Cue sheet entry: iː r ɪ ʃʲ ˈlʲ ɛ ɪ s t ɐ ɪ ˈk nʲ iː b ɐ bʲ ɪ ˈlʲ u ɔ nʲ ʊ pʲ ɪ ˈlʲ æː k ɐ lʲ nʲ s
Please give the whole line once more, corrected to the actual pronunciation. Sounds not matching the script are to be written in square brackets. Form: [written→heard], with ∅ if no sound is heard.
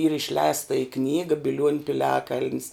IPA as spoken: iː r ɪ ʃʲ ˈlʲ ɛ ɪ s t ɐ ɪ ˈk nʲ iː [b→ɡ] ɐ bʲ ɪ ˈlʲ u ɔ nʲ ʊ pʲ ɪ ˈlʲ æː k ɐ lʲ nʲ s

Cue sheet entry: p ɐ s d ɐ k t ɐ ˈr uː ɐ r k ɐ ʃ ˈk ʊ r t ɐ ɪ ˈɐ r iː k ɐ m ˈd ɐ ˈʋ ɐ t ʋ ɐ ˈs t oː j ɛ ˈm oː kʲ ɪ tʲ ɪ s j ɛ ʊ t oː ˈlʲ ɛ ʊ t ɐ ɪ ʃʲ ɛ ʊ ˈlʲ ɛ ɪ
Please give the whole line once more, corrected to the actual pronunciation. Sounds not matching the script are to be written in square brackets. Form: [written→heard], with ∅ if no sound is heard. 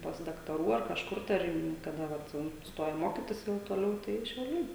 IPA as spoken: p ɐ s d ɐ k t ɐ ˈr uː ɐ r k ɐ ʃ ˈk ʊ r t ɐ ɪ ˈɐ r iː k ɐ [m→∅] ˈd ɐ ˈʋ ɐ t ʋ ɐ ˈs t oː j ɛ ˈm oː kʲ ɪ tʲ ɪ s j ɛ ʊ t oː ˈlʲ ɛ ʊ t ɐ ɪ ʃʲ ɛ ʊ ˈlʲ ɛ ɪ

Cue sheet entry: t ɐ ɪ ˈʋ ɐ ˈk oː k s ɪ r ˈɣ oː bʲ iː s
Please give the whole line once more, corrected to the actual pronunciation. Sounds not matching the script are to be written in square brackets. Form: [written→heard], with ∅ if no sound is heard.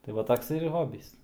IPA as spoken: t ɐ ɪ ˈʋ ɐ [ˈk→ˈt] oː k s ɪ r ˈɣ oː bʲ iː s

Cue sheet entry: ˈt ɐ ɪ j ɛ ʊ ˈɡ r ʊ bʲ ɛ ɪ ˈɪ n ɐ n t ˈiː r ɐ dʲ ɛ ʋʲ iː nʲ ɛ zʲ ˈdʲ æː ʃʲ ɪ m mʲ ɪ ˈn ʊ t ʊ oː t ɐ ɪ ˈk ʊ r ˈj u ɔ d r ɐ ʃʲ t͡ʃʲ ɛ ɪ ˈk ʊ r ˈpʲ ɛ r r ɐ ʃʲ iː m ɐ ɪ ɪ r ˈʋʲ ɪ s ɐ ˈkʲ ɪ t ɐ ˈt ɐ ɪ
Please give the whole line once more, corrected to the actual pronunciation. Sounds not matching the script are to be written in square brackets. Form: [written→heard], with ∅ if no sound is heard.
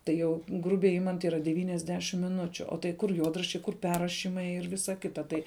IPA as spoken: ˈt ɐ ɪ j ɛ ʊ ˈɡ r ʊ bʲ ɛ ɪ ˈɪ [n→m] ɐ n t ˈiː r ɐ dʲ ɛ ʋʲ iː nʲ ɛ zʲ ˈdʲ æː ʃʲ ɪ m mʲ ɪ ˈn ʊ [t→t͡ʃʲ] ʊ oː t ɐ ɪ ˈk ʊ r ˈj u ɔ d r ɐ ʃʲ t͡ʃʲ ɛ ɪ ˈk ʊ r ˈpʲ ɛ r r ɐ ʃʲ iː m ɐ ɪ ɪ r ˈʋʲ ɪ s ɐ ˈkʲ ɪ t ɐ ˈt ɐ ɪ

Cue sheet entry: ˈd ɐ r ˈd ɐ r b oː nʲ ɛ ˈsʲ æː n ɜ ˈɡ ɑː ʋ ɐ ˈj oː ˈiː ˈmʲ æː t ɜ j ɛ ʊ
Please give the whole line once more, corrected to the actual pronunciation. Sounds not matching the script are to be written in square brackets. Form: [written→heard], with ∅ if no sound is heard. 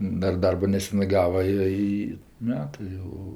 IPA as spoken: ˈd ɐ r ˈd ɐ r b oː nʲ ɛ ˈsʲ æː n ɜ ˈɡ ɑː ʋ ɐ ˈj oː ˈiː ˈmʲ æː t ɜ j ɛ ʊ

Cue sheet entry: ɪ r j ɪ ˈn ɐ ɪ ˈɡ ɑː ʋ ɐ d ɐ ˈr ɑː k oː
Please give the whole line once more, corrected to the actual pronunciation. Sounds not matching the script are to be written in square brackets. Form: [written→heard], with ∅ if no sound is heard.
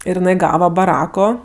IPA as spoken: ɪ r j ɪ ˈn ɐ ɪ ˈɡ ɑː ʋ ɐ [d→b] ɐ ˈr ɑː k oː

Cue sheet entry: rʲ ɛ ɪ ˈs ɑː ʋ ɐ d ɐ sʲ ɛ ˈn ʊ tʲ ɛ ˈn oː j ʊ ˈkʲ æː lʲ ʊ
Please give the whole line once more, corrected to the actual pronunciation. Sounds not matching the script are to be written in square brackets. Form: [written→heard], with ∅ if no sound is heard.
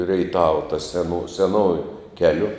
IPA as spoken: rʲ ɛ ɪ [ˈs→ˈt] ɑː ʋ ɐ [d→t] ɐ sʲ ɛ ˈn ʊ [tʲ→sʲ] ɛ ˈn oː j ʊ ˈkʲ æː lʲ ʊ

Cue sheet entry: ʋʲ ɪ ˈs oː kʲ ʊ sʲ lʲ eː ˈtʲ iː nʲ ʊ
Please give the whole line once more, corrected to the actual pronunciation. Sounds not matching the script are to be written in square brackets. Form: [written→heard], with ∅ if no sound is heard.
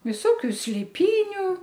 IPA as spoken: ʋʲ ɪ ˈs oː kʲ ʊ sʲ lʲ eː [ˈtʲ→ˈpʲ] iː nʲ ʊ

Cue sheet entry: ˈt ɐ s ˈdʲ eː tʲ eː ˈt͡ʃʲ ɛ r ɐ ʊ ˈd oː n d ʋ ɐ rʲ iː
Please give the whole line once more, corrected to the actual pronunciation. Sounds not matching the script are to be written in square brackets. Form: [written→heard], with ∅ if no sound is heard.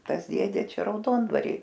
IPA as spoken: ˈt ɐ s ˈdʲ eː [tʲ→dʲ] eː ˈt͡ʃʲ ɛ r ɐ ʊ ˈd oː n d ʋ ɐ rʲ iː

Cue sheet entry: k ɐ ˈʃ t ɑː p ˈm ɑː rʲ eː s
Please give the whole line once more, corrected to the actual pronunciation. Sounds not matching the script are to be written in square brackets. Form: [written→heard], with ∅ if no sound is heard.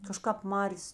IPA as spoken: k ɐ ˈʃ [t→k] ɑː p ˈm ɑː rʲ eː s

